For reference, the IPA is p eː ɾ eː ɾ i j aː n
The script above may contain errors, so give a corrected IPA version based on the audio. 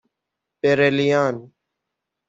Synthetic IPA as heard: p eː ɾ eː l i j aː n

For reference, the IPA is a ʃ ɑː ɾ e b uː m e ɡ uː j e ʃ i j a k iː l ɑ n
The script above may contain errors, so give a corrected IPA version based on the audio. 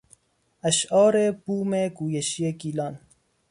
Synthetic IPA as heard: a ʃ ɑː ɾ e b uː m e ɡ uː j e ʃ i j e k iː l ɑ n

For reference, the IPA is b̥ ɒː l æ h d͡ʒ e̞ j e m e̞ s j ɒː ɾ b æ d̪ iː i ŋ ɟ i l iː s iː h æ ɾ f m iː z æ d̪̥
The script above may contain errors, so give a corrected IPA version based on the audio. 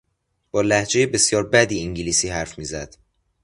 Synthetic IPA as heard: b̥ ɒː l æ h d͡ʒ e̞ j e b e̞ s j ɒː ɾ b æ d̪ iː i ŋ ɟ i l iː s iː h æ ɾ f m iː z æ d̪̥

